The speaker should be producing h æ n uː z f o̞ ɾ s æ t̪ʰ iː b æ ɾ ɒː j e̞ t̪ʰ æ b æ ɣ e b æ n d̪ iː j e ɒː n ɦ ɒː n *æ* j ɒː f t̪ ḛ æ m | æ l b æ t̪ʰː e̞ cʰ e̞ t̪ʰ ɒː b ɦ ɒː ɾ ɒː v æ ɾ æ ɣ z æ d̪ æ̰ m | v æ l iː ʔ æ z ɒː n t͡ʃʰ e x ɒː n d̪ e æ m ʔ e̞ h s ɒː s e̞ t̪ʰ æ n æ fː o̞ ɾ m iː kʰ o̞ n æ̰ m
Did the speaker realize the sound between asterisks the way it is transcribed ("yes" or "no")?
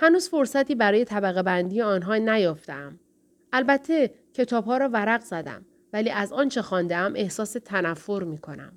yes